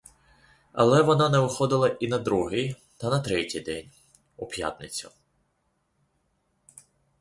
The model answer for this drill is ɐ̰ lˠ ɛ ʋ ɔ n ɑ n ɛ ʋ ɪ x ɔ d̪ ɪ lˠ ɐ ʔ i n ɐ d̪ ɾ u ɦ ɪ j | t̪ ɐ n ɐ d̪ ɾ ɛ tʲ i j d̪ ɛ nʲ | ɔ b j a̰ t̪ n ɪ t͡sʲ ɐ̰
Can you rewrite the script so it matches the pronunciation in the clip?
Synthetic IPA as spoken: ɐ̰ lˠ ɛ ʋ ɔ n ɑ n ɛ ʋ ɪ x ɔ d̪ ɪ lˠ ɐ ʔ i n ɐ d̪ ɾ u ɦ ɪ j | t̪ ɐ n ɐ t̪ ɾ ɛ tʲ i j d̪ ɛ nʲ | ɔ p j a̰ t̪ n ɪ t͡sʲ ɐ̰